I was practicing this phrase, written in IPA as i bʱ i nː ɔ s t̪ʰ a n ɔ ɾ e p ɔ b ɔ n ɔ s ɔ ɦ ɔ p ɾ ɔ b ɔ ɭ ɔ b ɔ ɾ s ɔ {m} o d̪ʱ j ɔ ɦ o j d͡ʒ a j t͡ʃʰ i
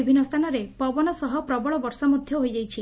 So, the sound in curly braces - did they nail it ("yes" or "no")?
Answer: yes